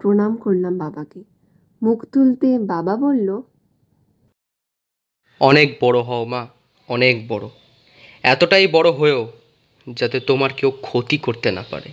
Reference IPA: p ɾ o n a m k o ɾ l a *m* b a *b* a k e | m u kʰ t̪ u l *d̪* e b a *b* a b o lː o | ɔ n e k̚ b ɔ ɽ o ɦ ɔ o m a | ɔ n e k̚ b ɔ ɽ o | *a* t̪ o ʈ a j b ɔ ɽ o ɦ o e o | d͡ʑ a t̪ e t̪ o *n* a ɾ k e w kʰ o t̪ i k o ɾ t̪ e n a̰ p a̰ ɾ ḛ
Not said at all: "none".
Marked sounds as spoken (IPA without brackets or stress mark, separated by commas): m, b, t̪, b, ɛ, m